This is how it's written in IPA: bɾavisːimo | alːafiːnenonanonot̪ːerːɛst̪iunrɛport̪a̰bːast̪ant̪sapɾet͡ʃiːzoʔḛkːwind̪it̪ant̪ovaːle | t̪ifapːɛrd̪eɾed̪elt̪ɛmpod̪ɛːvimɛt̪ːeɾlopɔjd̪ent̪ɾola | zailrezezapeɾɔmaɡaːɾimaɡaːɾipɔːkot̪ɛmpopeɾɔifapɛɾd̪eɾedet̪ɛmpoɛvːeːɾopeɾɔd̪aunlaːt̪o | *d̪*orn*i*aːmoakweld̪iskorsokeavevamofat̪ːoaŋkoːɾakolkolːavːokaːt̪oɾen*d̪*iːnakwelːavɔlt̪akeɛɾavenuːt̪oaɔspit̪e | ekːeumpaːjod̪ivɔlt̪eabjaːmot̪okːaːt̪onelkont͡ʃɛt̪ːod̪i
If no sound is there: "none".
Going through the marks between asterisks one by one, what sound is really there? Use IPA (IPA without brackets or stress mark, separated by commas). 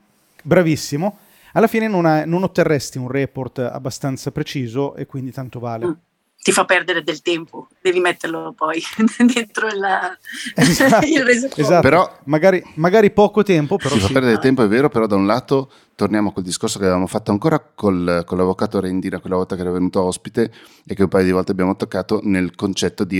t̪, j, d̪